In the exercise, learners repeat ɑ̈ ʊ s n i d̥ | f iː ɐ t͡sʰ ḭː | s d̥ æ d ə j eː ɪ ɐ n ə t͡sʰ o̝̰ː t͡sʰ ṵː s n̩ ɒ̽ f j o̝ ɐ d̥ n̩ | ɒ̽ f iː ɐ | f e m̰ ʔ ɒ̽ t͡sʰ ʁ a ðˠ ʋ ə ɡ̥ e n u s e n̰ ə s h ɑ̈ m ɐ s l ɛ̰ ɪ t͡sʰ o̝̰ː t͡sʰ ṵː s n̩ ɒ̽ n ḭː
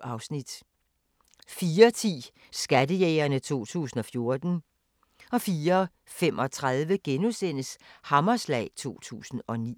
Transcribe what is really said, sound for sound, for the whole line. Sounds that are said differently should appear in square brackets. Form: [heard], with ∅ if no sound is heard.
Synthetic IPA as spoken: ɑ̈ ʊ s n i d̥ | f iː ɐ t͡sʰ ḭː | s [ɡ̥] æ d ə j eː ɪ ɐ n ə t͡sʰ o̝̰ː t͡sʰ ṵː s n̩ ɒ̽ f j o̝ ɐ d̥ n̩ | ɒ̽ f iː ɐ | f e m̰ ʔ ɒ̽ t͡sʰ ʁ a ðˠ ʋ ə ɡ̥ e n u s e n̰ ə s h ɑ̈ m ɐ s l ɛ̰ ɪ t͡sʰ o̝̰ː t͡sʰ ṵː s n̩ ɒ̽ n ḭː

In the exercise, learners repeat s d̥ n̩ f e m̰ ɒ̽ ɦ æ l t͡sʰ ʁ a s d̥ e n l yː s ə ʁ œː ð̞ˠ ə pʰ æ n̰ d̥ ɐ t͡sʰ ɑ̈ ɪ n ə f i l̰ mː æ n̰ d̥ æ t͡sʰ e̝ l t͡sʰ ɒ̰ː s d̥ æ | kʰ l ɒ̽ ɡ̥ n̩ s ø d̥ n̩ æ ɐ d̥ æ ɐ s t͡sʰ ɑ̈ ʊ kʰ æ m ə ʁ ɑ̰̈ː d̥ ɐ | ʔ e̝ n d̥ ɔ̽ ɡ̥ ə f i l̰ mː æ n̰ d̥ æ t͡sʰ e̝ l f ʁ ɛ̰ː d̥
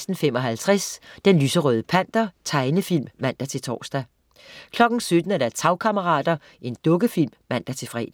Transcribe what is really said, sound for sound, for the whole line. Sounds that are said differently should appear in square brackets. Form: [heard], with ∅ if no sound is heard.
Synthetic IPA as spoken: s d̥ n̩ f e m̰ ɒ̽ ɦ æ l t͡sʰ ʁ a s d̥ e n l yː s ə ʁ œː ð̞ˠ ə pʰ æ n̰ d̥ ɐ t͡sʰ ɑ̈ ɪ n ə f i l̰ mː æ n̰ d̥ æ t͡sʰ e̝ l t͡sʰ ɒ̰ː s d̥ æ | kʰ l ɒ̽ ɡ̥ n̩ s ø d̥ n̩ æ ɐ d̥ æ ɐ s t͡sʰ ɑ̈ ʊ kʰ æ m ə ʁ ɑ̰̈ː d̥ ɐ | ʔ e̝ n d̥ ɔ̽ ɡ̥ ə f i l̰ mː æ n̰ d̥ æ t͡sʰ e̝ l f ʁ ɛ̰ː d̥

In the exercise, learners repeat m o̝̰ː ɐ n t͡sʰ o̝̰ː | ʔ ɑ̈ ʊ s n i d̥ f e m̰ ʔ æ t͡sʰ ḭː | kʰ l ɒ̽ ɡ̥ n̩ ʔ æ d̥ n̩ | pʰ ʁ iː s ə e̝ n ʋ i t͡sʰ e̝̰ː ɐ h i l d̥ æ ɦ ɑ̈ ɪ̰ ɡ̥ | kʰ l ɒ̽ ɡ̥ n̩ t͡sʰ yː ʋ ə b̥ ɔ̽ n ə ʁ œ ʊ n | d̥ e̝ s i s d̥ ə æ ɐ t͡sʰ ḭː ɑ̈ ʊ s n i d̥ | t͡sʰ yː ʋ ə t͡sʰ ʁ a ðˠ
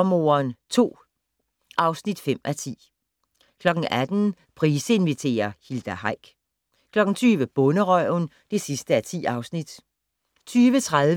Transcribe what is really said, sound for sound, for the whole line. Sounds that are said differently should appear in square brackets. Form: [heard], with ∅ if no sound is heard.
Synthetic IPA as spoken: m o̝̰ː ɐ n t͡sʰ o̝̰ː | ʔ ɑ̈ ʊ s n i d̥ f e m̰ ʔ æ t͡sʰ ḭː | kʰ l ɒ̽ ɡ̥ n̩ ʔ æ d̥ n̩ | pʰ ʁ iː s ə e̝ n ʋ i t͡sʰ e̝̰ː ɐ h i l d̥ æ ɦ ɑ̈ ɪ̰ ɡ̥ | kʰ l ɒ̽ ɡ̥ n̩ t͡sʰ yː ʋ ə b̥ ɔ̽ n ə ʁ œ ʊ n | d̥ e̝ s i s d̥ ə æ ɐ t͡sʰ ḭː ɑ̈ ʊ s n i d̥ | t͡sʰ yː ʋ ə t͡sʰ ʁ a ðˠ

